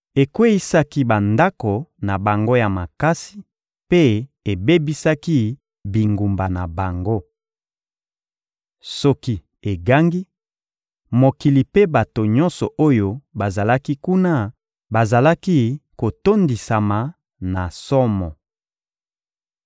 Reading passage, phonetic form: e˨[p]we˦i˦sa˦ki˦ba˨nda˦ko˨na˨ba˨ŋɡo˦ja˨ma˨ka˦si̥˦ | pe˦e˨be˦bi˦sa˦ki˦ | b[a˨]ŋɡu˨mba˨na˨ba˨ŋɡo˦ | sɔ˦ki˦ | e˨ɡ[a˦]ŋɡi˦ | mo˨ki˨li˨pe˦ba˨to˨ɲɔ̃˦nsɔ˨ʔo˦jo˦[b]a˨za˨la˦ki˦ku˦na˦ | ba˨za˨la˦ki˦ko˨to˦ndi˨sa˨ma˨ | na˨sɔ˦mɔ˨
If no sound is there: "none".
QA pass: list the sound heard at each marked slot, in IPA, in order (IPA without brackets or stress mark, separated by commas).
k, i˨, a˦, b